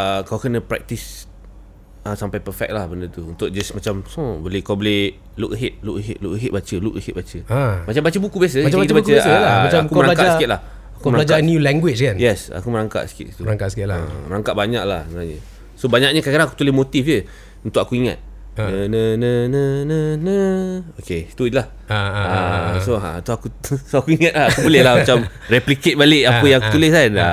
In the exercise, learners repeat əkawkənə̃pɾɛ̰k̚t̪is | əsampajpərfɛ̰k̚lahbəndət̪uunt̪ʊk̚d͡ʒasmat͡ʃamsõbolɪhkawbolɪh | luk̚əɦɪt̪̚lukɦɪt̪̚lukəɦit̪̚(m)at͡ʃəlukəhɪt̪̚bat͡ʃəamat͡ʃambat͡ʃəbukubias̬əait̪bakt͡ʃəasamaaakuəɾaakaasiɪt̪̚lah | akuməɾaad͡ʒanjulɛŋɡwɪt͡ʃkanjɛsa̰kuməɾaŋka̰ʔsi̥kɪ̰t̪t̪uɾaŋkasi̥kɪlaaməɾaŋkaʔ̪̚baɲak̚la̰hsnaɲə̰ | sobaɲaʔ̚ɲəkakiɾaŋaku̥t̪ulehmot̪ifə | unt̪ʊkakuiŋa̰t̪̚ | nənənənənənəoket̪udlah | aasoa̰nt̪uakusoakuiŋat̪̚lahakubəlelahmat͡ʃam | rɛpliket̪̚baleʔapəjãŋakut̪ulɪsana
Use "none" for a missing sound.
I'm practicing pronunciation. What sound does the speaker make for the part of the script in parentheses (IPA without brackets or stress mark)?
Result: b